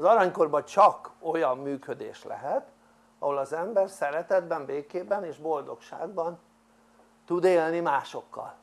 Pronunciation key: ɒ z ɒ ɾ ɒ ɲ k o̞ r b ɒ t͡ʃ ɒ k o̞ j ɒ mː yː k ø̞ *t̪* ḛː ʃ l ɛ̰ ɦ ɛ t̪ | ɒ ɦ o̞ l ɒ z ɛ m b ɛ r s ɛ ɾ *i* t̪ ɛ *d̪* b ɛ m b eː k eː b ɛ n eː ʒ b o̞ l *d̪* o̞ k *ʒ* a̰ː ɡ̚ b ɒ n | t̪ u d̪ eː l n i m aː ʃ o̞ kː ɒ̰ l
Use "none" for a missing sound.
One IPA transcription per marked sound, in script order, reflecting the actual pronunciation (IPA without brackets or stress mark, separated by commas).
d̪, ɛ, d̪, d̪, ʃ